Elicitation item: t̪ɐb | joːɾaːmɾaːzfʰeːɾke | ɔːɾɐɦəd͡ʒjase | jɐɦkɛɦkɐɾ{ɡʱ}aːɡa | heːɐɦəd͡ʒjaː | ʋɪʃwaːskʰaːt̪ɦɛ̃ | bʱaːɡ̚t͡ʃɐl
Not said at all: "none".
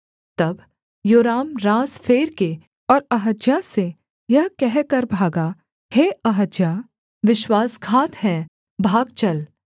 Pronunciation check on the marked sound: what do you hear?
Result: bʱ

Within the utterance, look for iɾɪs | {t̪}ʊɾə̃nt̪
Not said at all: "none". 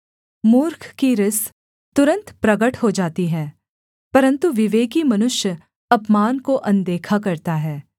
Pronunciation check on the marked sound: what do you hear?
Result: t̪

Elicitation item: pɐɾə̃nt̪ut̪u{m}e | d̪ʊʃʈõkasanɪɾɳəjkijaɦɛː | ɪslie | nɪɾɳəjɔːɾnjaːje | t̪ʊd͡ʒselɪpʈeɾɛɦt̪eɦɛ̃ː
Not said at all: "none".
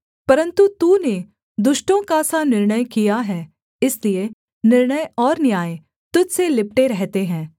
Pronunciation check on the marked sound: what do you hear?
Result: n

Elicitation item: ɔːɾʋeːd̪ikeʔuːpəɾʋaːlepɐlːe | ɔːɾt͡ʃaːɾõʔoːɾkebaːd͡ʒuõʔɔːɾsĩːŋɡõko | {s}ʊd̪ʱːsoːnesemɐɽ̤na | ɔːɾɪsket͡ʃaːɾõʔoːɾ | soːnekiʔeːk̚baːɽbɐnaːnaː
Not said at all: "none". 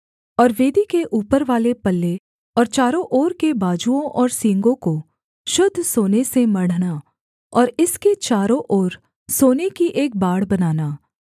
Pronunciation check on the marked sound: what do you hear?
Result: ʃ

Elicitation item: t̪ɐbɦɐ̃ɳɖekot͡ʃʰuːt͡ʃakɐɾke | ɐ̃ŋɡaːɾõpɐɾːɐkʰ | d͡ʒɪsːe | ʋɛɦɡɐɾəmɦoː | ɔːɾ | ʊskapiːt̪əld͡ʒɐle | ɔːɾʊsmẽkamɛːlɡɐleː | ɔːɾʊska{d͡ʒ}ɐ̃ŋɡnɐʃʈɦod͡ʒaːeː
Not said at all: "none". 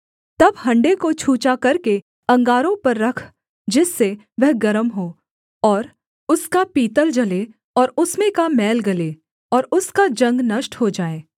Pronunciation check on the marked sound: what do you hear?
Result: d͡ʒ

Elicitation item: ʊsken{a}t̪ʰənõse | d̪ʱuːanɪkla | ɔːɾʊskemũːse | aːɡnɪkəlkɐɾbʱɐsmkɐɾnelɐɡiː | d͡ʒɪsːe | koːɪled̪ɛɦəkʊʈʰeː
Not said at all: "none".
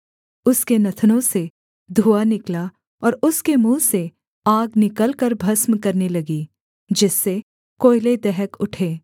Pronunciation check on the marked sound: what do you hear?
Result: ɐ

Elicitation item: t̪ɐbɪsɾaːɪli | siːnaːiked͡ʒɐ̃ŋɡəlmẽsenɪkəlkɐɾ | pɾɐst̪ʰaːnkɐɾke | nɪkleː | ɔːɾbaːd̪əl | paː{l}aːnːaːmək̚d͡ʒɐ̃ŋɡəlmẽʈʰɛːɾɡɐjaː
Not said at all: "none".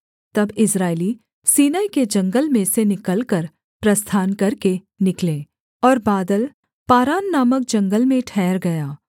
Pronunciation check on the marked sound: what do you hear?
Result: ɾ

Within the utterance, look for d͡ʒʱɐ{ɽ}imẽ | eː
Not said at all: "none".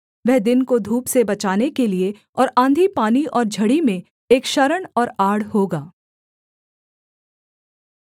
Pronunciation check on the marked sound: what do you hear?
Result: ɽ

